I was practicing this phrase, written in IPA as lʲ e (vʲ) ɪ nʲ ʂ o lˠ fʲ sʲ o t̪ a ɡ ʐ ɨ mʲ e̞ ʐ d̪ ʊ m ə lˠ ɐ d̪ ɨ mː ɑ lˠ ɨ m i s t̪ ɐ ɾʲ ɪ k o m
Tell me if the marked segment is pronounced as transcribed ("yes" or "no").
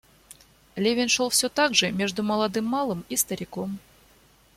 yes